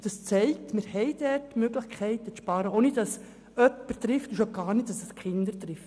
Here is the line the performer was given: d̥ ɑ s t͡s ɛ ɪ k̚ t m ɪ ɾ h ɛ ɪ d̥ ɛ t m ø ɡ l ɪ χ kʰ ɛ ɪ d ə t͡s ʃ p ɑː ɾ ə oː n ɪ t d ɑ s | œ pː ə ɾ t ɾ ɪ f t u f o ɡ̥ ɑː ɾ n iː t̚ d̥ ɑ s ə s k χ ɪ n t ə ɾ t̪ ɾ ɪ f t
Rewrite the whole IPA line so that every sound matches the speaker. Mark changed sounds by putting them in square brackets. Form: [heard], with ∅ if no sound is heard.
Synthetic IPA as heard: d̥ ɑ s t͡s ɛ ɪ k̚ t m ɪ ɾ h ɛ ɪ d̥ ɛ t m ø ɡ l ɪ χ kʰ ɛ ɪ [t] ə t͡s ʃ p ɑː ɾ ə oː n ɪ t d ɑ s | œ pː ə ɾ t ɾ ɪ f t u [ʃ] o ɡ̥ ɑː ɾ n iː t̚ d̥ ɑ s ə s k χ ɪ n [d] ə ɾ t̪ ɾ ɪ f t